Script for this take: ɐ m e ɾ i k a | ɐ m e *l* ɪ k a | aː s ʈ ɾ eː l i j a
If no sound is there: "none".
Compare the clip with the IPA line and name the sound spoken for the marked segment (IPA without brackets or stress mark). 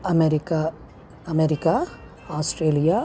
ɾ